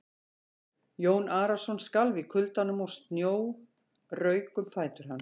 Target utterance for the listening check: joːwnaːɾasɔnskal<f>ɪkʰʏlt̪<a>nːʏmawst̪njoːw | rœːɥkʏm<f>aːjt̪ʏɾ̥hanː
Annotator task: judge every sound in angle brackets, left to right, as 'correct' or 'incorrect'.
incorrect: v, correct, correct

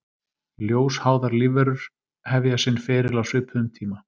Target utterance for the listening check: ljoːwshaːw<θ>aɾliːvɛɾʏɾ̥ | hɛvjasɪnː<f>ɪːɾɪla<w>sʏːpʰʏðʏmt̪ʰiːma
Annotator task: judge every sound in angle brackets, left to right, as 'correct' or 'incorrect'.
incorrect: ð, correct, correct

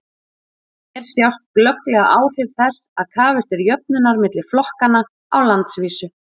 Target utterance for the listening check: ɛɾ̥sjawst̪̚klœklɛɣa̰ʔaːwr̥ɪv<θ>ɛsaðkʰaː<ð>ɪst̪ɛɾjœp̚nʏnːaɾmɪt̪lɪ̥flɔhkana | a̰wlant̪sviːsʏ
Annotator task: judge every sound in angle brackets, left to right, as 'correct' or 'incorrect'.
correct, incorrect: v

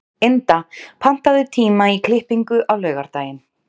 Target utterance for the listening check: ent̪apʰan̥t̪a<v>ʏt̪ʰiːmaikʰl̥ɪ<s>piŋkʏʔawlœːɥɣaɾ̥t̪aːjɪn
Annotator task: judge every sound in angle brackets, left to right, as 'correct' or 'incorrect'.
incorrect: ð, incorrect: h

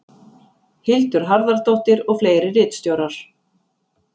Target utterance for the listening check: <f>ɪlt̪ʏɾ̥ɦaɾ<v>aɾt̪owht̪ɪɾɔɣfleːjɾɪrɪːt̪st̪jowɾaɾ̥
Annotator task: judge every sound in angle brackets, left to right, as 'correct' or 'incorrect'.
incorrect: h, incorrect: ð

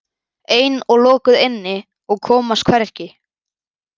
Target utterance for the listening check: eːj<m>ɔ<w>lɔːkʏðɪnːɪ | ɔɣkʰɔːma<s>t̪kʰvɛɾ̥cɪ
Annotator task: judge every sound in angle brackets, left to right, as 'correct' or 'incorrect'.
incorrect: n, incorrect: ɣ, correct

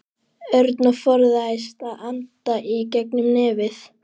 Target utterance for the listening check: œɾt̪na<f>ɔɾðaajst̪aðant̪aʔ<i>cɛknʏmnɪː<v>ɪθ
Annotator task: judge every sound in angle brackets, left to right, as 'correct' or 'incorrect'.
correct, correct, correct

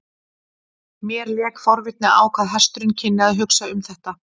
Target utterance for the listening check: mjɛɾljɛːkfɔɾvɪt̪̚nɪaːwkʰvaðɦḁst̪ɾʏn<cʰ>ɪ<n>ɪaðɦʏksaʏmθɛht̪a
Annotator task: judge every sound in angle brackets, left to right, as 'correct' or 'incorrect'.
correct, incorrect: nː

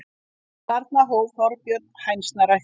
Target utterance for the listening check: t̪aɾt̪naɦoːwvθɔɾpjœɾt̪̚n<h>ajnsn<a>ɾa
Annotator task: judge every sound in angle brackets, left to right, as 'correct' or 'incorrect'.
correct, correct

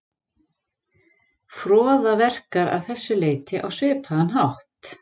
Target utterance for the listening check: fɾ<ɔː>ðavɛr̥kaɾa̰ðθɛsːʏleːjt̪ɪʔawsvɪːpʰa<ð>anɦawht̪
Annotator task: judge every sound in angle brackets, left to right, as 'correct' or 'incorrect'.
correct, correct

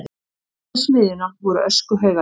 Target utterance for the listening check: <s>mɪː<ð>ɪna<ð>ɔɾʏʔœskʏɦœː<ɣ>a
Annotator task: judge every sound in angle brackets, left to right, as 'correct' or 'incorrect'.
correct, correct, incorrect: v, correct

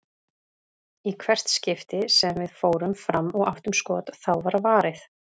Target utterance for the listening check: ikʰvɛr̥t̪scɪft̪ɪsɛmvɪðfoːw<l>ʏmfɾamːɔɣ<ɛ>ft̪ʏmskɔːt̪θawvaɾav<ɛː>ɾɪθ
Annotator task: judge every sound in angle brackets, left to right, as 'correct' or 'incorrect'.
incorrect: ɾ, incorrect: a, incorrect: aː

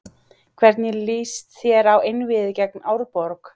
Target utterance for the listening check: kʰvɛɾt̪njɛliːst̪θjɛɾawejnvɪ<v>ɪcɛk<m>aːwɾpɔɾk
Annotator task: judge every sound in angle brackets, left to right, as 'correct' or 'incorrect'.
incorrect: ð, incorrect: n

